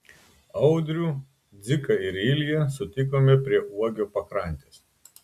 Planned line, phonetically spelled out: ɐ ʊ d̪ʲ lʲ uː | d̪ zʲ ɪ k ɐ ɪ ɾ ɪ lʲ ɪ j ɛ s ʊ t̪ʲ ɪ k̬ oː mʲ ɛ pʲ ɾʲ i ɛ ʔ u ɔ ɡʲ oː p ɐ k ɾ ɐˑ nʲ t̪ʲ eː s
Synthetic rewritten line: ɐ ʊ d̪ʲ ɾʲ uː | d̪ zʲ ɪ k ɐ ɪ ɾ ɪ lʲ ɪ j ɛ s ʊ t̪ʲ ɪ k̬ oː mʲ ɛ pʲ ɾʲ i ɛ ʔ u ɔ ɡʲ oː p ɐ k ɾ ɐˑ nʲ t̪ʲ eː s